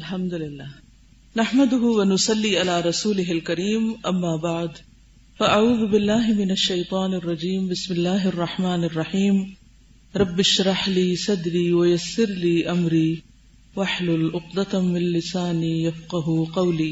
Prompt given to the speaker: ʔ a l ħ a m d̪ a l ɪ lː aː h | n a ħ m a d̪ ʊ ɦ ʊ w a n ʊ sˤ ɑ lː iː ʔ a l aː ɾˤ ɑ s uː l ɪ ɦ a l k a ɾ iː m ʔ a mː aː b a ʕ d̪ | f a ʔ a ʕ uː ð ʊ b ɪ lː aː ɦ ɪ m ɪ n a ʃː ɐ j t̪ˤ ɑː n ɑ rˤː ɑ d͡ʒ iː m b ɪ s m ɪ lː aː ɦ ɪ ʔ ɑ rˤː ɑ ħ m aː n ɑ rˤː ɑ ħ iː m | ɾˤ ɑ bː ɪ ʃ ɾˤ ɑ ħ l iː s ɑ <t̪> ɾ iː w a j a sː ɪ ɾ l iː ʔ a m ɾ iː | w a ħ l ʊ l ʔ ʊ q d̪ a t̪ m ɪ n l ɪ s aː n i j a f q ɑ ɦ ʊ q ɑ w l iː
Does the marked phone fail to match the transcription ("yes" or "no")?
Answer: yes